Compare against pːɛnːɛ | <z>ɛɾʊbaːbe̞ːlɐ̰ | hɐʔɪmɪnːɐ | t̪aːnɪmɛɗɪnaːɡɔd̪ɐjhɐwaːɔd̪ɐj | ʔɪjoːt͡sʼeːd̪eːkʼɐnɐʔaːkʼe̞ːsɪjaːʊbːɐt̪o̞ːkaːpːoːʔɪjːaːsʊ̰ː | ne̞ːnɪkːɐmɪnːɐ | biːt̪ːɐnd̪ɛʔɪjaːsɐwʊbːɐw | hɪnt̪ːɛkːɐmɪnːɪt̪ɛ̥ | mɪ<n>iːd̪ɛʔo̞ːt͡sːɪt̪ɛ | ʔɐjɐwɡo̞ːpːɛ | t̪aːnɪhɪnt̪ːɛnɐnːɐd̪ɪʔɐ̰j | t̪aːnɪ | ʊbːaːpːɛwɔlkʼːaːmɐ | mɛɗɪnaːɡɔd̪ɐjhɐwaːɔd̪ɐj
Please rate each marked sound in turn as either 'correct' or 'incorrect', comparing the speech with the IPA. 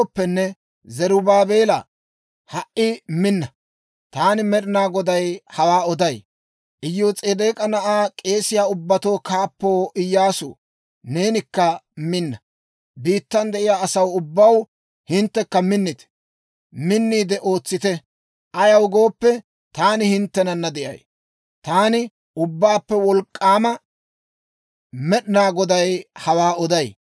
correct, incorrect

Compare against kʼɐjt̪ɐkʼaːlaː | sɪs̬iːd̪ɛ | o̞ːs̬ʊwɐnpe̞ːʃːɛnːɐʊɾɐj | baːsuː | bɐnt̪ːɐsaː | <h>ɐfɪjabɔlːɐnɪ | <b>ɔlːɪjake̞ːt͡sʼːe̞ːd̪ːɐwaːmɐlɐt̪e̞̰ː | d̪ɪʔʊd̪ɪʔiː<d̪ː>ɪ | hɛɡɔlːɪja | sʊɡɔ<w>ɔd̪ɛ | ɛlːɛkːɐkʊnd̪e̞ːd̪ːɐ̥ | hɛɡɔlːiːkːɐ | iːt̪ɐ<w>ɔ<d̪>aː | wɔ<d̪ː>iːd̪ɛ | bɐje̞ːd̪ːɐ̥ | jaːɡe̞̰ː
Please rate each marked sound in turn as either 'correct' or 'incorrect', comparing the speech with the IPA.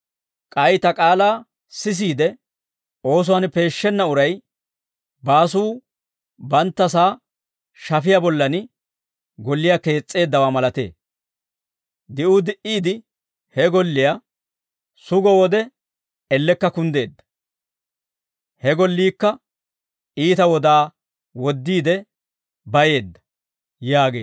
incorrect, incorrect, incorrect, correct, correct, correct, correct

